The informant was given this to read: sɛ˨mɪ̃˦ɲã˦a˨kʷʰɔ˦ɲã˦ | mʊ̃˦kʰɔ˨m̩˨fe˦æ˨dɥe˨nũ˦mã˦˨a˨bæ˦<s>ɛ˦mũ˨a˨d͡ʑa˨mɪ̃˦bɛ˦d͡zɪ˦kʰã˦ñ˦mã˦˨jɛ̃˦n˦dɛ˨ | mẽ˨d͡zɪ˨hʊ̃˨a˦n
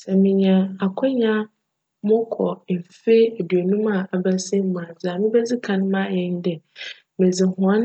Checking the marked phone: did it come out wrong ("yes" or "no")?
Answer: no